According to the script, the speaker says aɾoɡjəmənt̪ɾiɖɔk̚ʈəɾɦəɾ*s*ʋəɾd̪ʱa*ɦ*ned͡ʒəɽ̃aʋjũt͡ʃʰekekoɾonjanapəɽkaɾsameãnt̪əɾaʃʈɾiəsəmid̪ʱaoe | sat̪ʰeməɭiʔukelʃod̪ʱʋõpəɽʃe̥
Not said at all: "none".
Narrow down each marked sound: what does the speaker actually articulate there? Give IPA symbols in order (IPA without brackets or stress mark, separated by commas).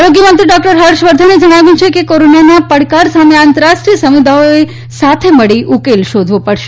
ʃ, none